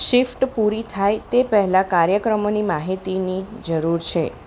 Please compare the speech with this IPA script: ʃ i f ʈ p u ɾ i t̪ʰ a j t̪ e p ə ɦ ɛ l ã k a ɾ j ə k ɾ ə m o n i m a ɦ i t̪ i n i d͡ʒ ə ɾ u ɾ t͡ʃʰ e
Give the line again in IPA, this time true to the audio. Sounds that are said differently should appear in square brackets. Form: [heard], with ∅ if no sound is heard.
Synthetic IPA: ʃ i f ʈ p u ɾ i t̪ʰ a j t̪ e p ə ɦ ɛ l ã k a ɾ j ə k ɾ ə m o n i m a ɦ i t̪ i n i d͡ʒ ə ɾ u ɾ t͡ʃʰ e